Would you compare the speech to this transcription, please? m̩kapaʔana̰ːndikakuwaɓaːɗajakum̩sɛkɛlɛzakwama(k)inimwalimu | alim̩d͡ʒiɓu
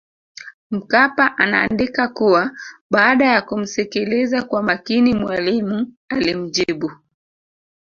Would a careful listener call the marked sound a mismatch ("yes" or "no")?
no